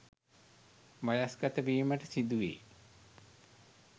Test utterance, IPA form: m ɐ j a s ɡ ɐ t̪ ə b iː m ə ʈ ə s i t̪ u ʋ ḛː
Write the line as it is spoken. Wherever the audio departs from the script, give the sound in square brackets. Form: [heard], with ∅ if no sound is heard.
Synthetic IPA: m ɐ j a s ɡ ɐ t̪ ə b iː m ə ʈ ə s i [d̪] u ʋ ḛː